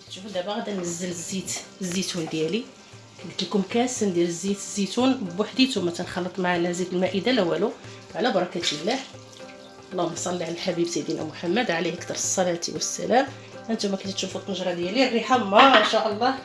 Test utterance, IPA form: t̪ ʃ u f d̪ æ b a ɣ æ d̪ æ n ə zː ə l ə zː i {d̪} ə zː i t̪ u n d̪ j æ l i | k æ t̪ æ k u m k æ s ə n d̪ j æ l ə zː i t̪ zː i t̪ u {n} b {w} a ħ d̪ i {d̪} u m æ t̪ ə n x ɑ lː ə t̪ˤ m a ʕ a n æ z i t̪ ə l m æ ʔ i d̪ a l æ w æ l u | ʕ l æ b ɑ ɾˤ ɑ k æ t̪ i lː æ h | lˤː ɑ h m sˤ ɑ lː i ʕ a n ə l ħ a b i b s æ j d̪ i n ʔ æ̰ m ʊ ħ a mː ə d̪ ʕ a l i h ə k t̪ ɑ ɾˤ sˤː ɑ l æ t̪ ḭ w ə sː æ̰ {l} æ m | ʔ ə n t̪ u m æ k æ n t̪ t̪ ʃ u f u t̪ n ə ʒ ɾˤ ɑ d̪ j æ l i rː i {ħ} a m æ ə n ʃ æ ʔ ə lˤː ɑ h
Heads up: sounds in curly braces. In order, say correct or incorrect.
incorrect: t̪, correct, correct, incorrect: t̪, correct, correct

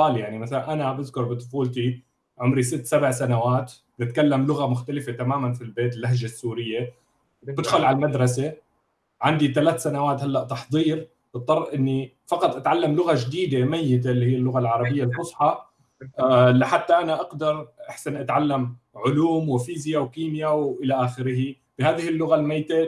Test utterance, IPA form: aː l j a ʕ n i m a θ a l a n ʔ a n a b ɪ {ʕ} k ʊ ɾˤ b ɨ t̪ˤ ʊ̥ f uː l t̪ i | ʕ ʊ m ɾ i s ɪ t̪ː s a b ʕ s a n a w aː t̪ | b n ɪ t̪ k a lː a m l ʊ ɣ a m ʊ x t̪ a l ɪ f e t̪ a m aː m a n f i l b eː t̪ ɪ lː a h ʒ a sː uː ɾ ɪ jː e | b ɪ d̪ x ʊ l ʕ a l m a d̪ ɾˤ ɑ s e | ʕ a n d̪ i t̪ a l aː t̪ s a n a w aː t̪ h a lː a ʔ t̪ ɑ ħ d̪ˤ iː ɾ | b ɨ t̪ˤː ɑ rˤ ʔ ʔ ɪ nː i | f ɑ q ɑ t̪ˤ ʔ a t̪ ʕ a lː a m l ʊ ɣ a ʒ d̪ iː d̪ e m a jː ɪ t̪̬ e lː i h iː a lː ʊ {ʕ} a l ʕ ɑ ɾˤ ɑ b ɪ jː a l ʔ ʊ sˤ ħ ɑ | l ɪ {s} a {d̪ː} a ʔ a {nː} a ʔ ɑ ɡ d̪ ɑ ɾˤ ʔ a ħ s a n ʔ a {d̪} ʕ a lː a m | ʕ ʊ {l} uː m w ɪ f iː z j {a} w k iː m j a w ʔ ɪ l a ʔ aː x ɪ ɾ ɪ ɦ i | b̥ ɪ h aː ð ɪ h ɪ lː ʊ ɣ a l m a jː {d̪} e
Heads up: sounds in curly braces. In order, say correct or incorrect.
incorrect: ð, incorrect: ɣ, incorrect: ħ, incorrect: t̪ː, incorrect: n, incorrect: t̪, correct, correct, incorrect: t̪

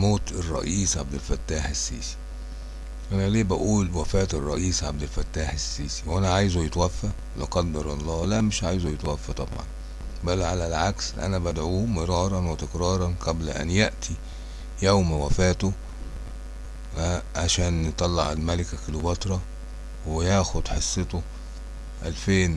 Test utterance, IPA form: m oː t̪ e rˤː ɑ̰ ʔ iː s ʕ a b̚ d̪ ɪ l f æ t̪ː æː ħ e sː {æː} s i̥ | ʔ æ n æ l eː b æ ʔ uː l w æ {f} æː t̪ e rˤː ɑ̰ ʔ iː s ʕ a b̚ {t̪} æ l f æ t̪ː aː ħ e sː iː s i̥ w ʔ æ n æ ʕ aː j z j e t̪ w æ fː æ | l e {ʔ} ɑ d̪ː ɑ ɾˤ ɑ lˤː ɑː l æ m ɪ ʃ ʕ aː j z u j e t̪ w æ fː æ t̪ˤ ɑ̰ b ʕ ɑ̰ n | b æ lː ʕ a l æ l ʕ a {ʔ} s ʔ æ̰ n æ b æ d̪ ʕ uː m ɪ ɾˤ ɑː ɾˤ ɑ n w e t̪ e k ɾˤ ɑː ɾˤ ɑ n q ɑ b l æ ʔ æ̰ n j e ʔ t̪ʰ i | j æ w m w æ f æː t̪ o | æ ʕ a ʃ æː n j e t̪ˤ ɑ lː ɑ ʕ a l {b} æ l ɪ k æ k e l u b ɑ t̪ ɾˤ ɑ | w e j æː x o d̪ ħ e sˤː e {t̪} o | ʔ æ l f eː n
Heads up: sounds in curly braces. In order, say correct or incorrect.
incorrect: iː, correct, incorrect: d̪, incorrect: q, incorrect: k, incorrect: m, correct

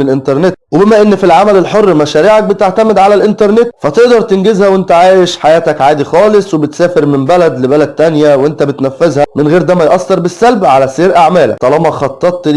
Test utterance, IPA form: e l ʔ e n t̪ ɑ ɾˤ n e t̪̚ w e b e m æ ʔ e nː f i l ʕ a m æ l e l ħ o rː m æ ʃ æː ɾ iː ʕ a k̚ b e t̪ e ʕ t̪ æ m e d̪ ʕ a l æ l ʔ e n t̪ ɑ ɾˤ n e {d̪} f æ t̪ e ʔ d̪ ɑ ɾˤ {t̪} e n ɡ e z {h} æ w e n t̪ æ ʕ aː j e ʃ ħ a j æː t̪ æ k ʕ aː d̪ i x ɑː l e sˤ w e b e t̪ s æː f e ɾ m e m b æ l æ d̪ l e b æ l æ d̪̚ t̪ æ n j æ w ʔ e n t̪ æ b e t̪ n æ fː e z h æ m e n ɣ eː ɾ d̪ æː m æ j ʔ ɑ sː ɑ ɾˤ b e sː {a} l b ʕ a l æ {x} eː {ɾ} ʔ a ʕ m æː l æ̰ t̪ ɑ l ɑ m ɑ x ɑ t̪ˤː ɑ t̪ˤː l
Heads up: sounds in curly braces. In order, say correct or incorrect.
incorrect: t̪, correct, correct, incorrect: æ, incorrect: s, correct

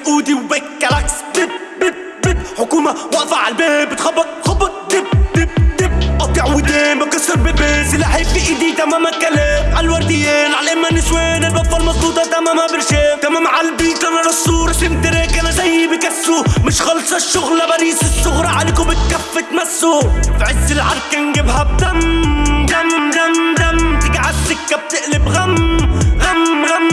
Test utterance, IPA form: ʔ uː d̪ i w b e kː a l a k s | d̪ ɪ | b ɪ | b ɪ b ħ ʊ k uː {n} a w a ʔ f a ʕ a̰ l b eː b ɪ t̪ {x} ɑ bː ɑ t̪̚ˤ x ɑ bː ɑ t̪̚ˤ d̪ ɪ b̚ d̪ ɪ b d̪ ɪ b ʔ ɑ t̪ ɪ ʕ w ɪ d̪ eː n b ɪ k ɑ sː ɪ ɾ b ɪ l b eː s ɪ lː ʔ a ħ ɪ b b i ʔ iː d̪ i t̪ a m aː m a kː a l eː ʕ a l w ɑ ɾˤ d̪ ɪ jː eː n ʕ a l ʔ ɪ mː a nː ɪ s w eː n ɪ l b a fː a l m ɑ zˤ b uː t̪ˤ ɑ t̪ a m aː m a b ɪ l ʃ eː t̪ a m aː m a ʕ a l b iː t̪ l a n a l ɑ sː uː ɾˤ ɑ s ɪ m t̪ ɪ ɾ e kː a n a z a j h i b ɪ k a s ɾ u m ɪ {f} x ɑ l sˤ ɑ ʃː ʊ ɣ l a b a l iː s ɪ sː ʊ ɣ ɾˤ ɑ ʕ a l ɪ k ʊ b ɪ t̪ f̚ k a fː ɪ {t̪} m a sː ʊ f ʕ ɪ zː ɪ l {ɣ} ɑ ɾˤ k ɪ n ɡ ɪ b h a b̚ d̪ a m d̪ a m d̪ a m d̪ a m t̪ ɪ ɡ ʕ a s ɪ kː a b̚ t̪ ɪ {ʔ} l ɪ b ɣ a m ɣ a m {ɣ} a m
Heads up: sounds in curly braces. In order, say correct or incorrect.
incorrect: m, correct, incorrect: ʃ, correct, incorrect: ʕ, correct, correct

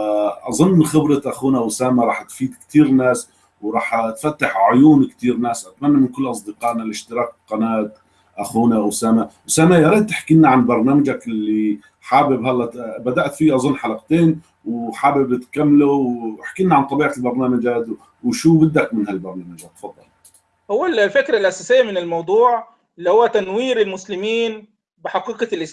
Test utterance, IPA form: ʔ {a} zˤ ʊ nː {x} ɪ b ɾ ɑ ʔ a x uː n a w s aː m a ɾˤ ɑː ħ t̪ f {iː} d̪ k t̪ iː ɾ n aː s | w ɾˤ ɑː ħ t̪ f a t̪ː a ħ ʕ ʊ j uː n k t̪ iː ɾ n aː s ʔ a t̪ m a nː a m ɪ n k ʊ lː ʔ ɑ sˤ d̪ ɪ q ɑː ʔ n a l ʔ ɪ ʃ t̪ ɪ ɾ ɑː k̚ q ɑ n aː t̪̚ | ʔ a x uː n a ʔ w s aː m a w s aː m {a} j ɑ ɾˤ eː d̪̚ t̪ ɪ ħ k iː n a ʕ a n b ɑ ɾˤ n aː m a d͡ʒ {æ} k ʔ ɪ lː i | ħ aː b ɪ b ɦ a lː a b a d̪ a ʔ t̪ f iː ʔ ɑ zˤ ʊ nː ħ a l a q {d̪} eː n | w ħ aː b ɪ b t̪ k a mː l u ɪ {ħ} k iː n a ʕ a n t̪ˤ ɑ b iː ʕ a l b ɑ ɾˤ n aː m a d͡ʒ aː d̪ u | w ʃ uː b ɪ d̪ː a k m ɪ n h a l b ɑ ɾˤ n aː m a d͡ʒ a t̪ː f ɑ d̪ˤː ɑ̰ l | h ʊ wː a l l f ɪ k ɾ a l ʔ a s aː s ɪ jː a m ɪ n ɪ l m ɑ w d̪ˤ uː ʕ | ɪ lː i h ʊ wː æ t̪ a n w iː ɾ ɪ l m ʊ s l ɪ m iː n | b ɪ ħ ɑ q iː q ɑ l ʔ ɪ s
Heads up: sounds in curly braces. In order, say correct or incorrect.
incorrect: ɑ, correct, correct, correct, incorrect: a, incorrect: t̪, correct

